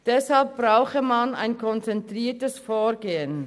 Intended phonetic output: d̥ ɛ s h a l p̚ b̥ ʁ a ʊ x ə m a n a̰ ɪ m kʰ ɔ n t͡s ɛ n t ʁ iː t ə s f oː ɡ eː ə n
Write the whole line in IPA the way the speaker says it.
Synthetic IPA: d̥ ɛ s h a l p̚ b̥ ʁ a ʊ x ə m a n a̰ ɪ n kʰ ɔ n t͡s ɛ n t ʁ iː t ə s f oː ɡ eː ə n